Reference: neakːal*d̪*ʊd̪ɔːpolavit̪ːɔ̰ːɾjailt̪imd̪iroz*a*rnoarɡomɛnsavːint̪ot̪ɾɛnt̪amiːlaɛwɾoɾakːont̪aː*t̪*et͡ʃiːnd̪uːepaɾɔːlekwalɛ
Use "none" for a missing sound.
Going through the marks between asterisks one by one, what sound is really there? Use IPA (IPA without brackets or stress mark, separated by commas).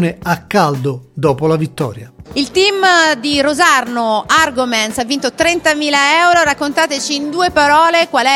d̪, a, t̪